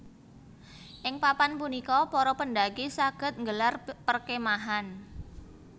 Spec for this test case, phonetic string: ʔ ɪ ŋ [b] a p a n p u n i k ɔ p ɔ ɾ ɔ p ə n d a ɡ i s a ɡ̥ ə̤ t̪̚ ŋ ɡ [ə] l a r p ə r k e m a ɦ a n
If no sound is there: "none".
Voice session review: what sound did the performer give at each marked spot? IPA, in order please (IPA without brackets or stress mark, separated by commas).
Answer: p, ə